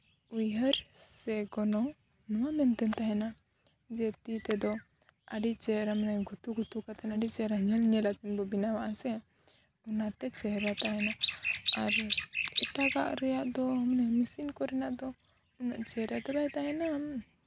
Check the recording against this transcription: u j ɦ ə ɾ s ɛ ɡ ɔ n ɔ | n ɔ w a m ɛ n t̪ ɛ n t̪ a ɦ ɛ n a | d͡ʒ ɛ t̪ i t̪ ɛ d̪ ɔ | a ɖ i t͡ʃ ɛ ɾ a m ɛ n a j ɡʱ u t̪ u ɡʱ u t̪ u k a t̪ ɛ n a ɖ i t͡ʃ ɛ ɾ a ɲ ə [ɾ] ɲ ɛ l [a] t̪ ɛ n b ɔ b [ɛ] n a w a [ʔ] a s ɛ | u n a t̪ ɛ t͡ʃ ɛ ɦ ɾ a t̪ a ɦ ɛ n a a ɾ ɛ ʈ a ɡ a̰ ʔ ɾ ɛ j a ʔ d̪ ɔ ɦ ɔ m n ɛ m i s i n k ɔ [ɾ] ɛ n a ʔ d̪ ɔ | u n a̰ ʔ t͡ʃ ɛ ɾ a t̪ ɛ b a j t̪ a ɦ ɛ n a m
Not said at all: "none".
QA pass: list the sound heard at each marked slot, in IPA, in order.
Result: l, a, i, ʔ, ɾ

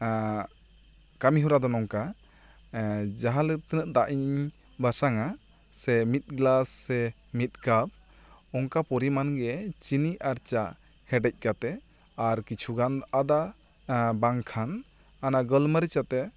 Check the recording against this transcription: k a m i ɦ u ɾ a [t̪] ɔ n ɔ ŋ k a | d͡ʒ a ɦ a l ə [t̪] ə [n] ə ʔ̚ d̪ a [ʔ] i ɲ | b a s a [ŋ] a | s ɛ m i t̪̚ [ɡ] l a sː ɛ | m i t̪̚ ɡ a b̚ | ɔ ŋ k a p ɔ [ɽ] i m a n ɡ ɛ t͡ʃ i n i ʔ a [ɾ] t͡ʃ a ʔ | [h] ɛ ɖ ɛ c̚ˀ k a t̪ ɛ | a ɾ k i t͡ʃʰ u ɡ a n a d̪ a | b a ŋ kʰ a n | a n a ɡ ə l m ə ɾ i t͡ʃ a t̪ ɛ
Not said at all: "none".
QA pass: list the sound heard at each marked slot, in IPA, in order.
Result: d̪, t̪, n, ʔ, ŋ, ɡ, ɾ, ɾ, h

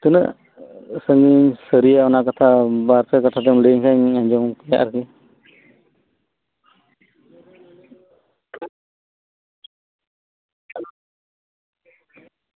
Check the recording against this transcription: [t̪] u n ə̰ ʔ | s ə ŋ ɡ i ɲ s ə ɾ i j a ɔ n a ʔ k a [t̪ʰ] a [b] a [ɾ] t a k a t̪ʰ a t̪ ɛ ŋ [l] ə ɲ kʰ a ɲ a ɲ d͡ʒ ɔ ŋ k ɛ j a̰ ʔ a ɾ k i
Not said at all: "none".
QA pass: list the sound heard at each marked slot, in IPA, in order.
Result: t̪, t̪ʰ, b, ɾ, l

